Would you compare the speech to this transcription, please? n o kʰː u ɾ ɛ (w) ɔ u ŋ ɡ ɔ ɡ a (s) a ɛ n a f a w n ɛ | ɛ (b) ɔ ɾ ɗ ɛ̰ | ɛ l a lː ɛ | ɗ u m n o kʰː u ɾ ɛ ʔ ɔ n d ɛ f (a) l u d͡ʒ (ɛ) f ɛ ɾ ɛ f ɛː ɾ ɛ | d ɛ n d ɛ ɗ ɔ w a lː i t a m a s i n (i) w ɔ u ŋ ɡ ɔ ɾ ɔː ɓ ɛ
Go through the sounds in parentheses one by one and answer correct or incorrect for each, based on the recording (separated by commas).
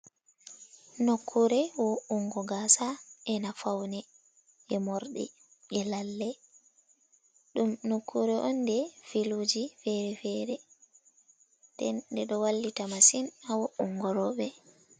correct, correct, incorrect, incorrect, incorrect, incorrect